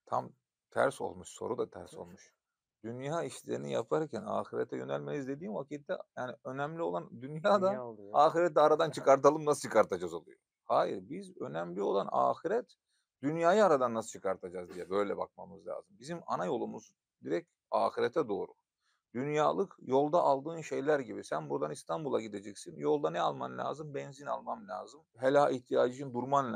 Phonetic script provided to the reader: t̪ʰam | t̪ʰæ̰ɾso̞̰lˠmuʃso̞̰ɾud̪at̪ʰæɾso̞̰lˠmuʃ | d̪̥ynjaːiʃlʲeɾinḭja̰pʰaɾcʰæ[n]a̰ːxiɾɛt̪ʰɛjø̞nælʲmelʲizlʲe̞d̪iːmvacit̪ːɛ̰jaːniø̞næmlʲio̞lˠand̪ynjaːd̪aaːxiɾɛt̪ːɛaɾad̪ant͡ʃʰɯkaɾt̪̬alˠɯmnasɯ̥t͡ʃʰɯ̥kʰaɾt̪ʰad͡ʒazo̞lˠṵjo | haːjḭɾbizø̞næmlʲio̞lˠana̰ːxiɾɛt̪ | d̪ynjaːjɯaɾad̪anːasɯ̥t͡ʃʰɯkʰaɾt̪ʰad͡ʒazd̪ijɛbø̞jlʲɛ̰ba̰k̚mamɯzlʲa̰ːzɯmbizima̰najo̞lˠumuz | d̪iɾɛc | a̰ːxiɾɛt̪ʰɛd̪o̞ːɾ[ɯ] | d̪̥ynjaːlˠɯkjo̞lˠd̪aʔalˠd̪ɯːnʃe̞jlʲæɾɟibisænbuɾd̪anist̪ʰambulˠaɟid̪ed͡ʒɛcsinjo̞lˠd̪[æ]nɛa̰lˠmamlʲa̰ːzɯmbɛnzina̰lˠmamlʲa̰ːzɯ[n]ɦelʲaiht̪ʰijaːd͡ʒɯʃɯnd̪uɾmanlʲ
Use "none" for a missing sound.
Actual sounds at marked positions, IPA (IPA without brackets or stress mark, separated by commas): n, u, a, m